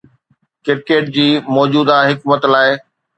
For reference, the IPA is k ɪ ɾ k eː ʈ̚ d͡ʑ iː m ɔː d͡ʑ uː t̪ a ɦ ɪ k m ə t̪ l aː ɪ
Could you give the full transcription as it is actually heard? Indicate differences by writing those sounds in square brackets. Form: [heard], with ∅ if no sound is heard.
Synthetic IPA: k ɪ ɾ k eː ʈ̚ d͡ʑ iː m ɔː d͡ʑ uː [d̪] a ɦ ɪ k m ə t̪ l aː ɪ